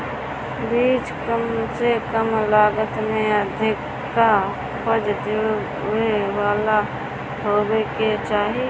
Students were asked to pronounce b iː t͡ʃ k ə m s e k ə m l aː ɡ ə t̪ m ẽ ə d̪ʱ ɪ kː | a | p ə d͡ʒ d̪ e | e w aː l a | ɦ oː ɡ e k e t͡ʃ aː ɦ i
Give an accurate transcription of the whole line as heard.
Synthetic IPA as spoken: b iː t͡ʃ k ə m s e k ə m l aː ɡ ə t̪ m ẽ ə d̪ʱ ɪ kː | a | p ə d͡ʒ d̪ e | e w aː l a | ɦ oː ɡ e k e t͡ʃ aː ɦ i